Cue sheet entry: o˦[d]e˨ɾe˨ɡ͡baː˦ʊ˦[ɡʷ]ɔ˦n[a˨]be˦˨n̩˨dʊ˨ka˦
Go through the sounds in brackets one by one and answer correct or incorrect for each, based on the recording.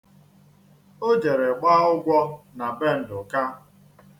incorrect, correct, correct

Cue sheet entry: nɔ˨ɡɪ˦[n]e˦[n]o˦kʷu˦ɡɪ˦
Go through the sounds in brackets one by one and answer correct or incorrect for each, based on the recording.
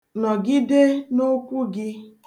incorrect, correct

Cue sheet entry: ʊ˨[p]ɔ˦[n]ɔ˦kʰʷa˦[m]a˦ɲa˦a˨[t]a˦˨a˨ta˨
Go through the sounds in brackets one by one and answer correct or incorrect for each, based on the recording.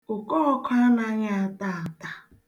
incorrect, incorrect, incorrect, correct

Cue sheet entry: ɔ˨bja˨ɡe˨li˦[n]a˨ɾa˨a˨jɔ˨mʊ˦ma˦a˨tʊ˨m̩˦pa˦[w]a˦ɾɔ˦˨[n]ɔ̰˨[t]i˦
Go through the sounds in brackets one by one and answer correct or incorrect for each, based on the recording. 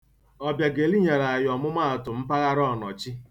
incorrect, incorrect, correct, incorrect

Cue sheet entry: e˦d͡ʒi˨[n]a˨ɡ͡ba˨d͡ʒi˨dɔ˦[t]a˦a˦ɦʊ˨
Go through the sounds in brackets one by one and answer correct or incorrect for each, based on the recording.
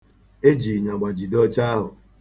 incorrect, incorrect

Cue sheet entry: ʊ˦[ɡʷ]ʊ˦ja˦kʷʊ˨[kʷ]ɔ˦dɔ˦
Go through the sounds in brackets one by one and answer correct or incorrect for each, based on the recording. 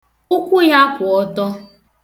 incorrect, incorrect

